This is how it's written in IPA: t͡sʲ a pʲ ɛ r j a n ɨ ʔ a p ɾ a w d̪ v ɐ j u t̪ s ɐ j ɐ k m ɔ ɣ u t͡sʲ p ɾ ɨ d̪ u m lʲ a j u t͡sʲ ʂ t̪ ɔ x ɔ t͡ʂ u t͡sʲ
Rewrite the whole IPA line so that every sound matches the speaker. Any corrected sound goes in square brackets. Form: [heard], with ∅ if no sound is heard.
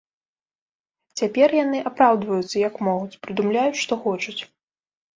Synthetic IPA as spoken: t͡sʲ a pʲ ɛ r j a n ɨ ʔ a p ɾ a w d̪ v ɐ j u t̪ s ɐ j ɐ k m ɔ ɣ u t͡sʲ p ɾ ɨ d̪ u m lʲ a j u t͡sʲ ʂ t̪ ɔ x ɔ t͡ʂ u t͡sʲ